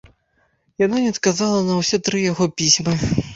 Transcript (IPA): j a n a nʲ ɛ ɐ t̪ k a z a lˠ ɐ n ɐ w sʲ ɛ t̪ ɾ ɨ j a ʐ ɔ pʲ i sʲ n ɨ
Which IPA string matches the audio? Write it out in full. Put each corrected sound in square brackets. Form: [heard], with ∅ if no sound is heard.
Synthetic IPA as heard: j a n a nʲ ɛ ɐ t̪ k a z a lˠ ɐ n ɐ w sʲ ɛ t̪ ɾ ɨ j a [ɣ] ɔ pʲ i sʲ [m] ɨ